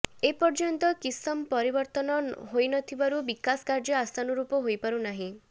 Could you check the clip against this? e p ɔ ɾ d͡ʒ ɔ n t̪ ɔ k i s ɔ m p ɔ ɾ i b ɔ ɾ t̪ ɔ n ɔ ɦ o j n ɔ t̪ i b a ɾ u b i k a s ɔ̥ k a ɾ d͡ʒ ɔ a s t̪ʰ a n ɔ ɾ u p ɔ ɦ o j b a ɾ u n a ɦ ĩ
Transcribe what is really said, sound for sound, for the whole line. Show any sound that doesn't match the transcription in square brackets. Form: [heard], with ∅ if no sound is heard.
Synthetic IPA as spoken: e p ɔ ɾ d͡ʒ ɔ n t̪ ɔ k i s ɔ m p ɔ ɾ i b ɔ ɾ t̪ ɔ n ɔ ɦ o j n ɔ [t̪ʰ] i b a ɾ u b i k a s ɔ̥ k a ɾ d͡ʒ ɔ a s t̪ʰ a n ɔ ɾ u p ɔ ɦ o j [p] a ɾ u n a ɦ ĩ